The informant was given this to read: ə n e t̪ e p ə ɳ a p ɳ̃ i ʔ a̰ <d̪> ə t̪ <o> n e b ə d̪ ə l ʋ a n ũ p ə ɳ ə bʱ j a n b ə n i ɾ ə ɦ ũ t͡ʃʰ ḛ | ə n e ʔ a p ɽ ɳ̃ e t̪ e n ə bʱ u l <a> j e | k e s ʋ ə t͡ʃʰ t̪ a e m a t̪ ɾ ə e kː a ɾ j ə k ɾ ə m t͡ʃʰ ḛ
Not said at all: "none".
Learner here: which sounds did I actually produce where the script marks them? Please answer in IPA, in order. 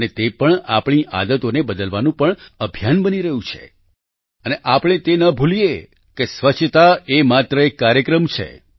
d̪, o, i

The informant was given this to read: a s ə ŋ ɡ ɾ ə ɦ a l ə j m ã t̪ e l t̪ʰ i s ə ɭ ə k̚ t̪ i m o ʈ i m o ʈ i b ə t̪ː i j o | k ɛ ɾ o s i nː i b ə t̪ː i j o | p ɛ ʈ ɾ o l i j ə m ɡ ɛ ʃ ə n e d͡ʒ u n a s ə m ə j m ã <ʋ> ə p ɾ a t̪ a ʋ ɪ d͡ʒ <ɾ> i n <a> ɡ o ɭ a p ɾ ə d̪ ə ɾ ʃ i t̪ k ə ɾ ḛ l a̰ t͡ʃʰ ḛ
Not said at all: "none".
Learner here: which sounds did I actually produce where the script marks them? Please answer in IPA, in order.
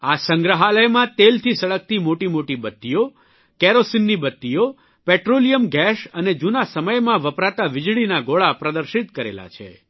ʋ, ɭ, a

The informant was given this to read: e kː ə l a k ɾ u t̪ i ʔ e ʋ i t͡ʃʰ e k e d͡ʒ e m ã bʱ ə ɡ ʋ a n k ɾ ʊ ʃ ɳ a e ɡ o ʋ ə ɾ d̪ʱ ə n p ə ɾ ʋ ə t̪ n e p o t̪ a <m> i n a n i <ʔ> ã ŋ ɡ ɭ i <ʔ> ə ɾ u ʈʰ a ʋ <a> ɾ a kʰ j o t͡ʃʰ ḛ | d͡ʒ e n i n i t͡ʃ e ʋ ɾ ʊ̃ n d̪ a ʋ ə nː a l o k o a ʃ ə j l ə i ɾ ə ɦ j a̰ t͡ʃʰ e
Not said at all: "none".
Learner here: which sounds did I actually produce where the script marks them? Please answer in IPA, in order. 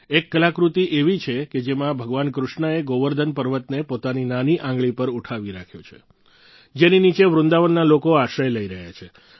n, ʔ, p, i

